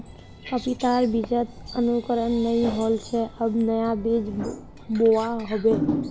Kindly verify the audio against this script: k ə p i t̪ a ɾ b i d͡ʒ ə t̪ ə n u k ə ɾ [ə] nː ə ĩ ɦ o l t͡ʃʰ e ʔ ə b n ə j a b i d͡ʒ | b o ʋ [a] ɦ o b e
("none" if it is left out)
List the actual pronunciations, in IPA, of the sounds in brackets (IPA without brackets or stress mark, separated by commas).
ə, a